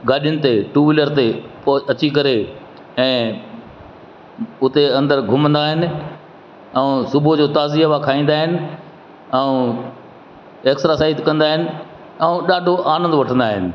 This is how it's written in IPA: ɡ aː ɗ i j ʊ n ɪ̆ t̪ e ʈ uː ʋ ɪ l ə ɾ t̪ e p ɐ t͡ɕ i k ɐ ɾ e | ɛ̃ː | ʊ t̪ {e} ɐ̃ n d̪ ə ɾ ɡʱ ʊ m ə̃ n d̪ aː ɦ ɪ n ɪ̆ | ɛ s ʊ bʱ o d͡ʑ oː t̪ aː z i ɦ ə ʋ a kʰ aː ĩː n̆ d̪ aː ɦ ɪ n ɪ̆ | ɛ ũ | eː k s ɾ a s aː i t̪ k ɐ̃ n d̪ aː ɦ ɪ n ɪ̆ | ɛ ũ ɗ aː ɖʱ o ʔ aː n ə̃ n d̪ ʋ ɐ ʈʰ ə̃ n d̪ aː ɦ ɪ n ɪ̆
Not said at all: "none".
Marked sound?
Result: e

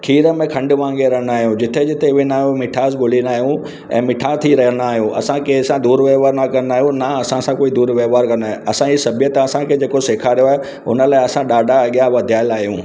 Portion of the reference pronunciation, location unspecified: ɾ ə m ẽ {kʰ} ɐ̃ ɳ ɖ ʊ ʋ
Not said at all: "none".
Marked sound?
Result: kʰ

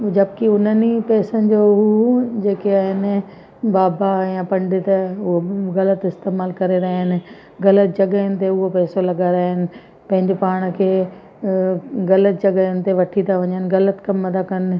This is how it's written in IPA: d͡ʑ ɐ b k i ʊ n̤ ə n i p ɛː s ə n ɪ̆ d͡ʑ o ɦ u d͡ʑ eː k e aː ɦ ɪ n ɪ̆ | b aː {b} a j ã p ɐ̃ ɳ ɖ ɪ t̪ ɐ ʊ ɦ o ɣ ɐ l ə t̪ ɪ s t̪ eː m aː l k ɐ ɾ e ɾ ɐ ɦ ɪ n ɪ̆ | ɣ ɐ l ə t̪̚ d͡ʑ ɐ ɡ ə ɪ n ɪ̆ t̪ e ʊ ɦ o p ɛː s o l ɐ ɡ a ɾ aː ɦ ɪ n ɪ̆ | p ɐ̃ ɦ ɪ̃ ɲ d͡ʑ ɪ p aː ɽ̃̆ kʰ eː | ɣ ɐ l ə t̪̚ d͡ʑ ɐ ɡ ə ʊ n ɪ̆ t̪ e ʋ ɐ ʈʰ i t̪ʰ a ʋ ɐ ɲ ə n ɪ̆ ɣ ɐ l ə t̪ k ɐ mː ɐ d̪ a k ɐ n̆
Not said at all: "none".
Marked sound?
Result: b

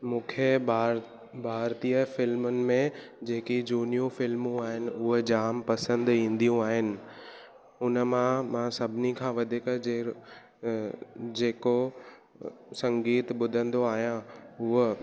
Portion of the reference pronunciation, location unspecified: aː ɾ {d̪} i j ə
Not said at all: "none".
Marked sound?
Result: t̪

